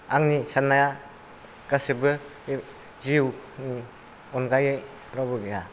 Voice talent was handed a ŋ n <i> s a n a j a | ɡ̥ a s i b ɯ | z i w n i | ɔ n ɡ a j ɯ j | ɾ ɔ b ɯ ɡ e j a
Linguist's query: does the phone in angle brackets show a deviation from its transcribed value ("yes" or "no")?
no